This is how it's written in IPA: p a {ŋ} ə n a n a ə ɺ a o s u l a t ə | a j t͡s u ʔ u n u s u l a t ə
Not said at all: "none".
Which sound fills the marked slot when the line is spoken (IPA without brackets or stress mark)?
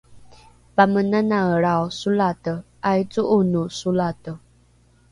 m